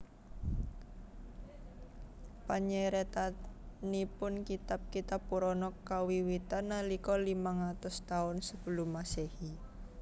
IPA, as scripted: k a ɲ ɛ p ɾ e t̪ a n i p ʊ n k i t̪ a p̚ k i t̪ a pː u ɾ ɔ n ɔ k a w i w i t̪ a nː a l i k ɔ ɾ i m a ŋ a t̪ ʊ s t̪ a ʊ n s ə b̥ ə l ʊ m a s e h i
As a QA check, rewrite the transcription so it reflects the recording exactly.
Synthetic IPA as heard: p a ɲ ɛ ɾ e t̪ a n i p ʊ n k i t̪ a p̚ k i t̪ a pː u ɾ ɔ n ɔ k a w i w i t̪ a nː a l i k ɔ l i m a ŋ a t̪ ʊ s t̪ a ʊ n s ə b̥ ə l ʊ m a s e h i

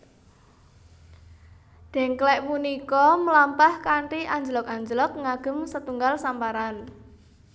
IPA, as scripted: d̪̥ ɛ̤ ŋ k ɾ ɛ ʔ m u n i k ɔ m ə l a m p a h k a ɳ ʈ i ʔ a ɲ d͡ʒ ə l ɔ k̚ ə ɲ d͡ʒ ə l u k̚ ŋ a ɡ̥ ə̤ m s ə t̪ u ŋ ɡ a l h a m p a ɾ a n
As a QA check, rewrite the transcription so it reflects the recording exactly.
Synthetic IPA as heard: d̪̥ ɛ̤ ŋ k l ɛ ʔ m u n i k ɔ m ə l a m p a h k a ɳ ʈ i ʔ a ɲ d͡ʒ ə l ɔ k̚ a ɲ d͡ʒ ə l ɔ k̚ ŋ a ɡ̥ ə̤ m s ə t̪ u ŋ ɡ a l s a m p a ɾ a n

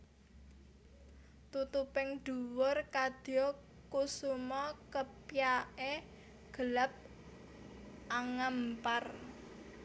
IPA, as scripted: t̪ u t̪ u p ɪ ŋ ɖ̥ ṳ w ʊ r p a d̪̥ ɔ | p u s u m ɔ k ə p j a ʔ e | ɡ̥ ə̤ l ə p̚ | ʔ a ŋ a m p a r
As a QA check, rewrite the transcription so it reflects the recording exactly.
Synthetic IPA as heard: t̪ u t̪ u p ɪ ŋ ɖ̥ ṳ w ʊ r k a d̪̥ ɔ | k u s u m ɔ k ə p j a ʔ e | ɡ̥ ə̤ l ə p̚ | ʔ a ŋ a m p a r

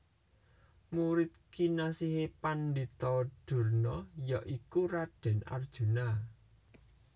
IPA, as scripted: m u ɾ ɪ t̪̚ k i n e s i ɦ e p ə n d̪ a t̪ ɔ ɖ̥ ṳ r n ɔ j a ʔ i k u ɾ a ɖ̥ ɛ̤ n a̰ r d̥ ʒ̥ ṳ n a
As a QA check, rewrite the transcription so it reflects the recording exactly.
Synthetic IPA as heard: m u ɾ ɪ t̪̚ k i n a s i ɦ e p a n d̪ i t̪ ɔ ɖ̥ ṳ r n ɔ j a ʔ i k u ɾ a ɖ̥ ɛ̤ n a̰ r d̥ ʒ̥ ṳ n a

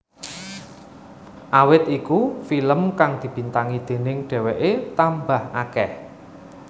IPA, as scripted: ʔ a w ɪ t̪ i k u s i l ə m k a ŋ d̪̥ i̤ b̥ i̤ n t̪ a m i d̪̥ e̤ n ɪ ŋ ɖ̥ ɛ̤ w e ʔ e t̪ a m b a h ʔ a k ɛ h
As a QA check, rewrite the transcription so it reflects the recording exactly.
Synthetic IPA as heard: ʔ a w ɪ t̪ i k u f i l ə m k a ŋ d̪̥ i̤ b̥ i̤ n t̪ a ŋ i d̪̥ e̤ n ɪ ŋ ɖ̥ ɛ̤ w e ʔ e t̪ a m b a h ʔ a k ɛ h

